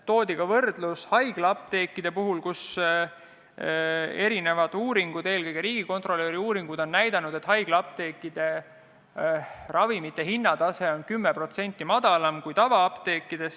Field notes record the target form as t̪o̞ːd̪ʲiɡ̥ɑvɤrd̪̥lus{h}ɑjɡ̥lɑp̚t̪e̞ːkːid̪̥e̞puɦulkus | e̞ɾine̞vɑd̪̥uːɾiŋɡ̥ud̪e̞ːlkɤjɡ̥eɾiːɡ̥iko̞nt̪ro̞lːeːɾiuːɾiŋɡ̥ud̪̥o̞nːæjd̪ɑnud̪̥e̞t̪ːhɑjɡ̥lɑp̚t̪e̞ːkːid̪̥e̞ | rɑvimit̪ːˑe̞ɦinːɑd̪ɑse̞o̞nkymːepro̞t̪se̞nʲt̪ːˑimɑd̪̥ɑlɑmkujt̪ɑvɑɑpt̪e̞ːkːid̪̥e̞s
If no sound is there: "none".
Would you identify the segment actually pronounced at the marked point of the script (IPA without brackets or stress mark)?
h